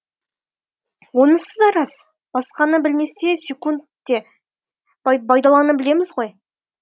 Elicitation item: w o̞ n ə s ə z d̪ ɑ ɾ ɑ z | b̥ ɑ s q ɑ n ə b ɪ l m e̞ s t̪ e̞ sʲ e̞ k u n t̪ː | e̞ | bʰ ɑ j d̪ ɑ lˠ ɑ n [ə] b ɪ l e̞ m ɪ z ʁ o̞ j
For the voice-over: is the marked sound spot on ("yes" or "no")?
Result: yes